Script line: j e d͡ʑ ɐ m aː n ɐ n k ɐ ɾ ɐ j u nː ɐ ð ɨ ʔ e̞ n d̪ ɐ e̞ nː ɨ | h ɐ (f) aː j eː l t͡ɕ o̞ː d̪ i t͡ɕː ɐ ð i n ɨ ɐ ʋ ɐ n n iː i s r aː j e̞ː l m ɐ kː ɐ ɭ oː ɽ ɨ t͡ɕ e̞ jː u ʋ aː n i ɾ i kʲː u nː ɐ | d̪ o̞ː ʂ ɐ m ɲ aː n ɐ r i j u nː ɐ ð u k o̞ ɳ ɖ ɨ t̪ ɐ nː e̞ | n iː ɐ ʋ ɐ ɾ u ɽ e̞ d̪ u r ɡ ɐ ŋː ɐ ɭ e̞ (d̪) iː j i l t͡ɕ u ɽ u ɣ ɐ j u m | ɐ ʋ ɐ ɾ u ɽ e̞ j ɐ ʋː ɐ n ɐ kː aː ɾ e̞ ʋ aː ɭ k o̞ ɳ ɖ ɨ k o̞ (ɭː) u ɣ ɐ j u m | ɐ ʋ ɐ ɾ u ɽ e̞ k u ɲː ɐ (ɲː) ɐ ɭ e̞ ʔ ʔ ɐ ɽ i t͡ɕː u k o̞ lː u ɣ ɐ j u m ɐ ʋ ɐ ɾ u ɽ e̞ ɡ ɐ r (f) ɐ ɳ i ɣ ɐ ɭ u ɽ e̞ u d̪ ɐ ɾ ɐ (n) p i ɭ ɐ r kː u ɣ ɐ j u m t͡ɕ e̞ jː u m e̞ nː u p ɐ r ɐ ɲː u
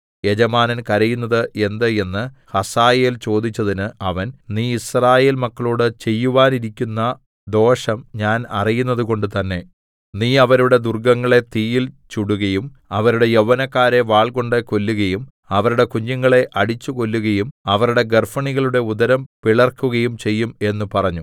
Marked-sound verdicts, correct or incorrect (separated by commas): incorrect, incorrect, incorrect, incorrect, correct, incorrect